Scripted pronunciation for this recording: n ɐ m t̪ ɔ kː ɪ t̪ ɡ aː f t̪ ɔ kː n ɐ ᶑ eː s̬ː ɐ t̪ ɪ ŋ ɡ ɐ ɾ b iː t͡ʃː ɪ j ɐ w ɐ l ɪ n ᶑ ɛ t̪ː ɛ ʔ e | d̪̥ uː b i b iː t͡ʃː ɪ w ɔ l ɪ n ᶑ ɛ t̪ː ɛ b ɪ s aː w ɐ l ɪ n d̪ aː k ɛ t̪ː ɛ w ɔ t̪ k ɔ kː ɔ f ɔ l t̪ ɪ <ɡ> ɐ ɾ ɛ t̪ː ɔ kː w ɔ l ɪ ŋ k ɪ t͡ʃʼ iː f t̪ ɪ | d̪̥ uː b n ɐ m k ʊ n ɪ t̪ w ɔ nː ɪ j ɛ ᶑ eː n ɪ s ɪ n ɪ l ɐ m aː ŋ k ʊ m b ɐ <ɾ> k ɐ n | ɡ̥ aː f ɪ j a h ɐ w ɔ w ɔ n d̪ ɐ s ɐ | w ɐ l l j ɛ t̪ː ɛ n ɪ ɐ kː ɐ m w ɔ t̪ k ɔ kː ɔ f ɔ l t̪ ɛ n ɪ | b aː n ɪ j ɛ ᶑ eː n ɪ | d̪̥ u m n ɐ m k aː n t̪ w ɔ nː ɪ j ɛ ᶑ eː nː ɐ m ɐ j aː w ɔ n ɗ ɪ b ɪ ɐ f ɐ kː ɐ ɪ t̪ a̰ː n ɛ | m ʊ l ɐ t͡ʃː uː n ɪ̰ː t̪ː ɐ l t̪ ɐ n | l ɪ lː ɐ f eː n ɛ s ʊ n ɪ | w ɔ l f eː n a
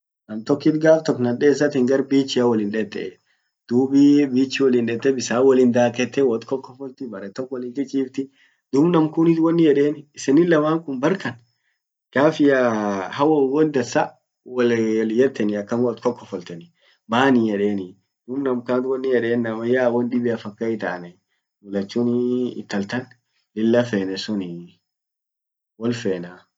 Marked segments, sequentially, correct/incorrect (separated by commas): incorrect, correct